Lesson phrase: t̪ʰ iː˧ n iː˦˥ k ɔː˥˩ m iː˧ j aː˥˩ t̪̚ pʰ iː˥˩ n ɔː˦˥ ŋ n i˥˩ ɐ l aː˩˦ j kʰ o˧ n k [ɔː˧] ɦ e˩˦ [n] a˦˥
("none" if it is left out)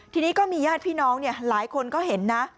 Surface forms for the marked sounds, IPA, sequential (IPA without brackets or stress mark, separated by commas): ɔː˥˩, nː